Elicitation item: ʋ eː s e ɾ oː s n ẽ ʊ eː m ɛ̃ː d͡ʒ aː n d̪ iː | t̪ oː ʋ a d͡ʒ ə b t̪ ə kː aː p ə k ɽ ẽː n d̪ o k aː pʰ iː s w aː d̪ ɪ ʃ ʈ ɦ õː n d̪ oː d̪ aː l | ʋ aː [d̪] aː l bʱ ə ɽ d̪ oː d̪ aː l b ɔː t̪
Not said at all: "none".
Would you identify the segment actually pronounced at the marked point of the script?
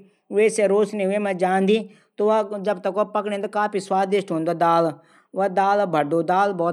d̪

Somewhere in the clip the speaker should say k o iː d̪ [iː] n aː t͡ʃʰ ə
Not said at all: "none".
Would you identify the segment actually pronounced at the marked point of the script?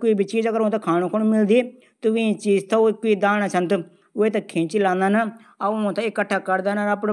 aː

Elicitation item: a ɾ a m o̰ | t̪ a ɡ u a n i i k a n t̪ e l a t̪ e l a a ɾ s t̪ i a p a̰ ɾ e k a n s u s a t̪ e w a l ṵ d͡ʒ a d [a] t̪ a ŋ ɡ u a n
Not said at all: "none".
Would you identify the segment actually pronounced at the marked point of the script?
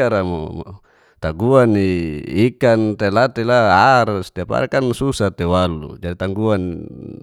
i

